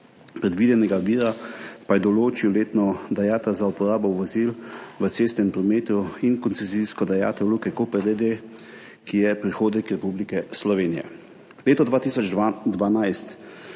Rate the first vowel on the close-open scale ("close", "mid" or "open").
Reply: mid